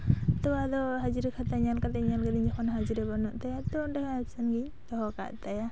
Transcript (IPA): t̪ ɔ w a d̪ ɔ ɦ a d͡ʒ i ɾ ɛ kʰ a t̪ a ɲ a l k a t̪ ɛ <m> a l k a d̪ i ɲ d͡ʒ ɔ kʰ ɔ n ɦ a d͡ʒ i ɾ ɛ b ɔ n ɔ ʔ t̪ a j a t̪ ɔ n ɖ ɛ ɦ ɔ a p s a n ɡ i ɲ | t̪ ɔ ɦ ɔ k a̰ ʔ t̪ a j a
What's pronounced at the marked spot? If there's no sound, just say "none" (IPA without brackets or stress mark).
ɲ